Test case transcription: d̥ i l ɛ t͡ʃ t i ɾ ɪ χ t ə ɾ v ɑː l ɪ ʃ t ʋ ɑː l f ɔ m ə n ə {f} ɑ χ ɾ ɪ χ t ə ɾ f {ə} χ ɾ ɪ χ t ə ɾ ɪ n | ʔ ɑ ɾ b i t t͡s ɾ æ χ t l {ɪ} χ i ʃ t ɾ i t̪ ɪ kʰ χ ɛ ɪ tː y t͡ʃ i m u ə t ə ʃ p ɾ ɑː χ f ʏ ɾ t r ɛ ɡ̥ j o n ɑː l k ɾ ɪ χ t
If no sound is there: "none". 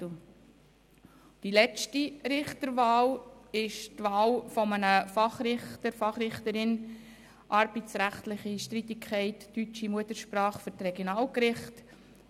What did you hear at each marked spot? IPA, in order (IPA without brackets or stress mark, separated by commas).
f, ɑ, ɪ